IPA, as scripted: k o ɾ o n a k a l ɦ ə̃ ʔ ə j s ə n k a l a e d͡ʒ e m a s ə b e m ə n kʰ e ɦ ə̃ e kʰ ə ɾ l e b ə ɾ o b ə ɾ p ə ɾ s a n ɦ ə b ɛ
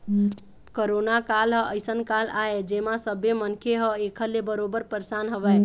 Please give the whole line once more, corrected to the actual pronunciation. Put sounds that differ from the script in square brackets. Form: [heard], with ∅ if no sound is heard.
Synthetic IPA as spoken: k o ɾ o n a k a l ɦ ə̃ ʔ ə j s ə n k a l a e d͡ʒ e m a s ə b e m ə n kʰ e ɦ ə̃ e kʰ ə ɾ l e b ə ɾ o b ə ɾ p ə ɾ s a n ɦ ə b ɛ